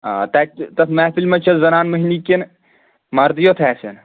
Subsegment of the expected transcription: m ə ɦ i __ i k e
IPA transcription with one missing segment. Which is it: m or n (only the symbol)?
n